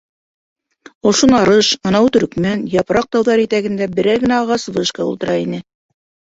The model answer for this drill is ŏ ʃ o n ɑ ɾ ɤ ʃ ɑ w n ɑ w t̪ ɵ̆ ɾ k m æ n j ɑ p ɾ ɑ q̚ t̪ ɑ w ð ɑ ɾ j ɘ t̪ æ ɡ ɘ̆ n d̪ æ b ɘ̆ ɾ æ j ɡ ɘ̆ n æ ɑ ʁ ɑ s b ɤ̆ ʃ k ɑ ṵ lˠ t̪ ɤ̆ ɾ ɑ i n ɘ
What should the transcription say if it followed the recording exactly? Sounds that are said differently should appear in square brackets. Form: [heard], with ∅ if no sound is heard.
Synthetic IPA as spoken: ŏ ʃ o n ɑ ɾ ɤ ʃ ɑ [∅] n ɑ w t̪ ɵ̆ ɾ k m æ n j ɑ p ɾ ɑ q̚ t̪ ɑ w ð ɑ ɾ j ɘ t̪ æ ɡ ɘ̆ n d̪ æ b ɘ̆ ɾ æ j ɡ ɘ̆ n æ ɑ ʁ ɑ s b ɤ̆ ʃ k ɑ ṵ lˠ t̪ ɤ̆ ɾ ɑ i n ɘ